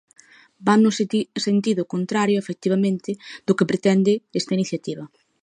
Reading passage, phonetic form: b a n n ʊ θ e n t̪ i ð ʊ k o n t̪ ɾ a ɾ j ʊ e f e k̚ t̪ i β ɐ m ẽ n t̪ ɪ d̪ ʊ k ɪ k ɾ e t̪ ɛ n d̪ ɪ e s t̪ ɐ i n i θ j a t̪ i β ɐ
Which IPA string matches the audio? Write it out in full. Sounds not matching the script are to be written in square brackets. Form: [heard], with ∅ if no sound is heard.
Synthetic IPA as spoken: b a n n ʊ [s] e n t̪ i ð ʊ k o n t̪ ɾ a ɾ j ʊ e f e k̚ t̪ i β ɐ m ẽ n t̪ ɪ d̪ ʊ k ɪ [p] ɾ e t̪ ɛ n d̪ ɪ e s t̪ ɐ i n i θ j a t̪ i β ɐ